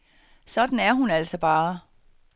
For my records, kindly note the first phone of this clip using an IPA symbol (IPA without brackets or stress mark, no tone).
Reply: s